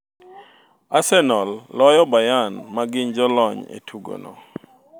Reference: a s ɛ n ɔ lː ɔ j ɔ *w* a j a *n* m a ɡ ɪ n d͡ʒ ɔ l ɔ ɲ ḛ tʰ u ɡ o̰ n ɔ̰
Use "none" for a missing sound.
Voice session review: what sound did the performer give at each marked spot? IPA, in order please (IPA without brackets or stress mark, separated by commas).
b, n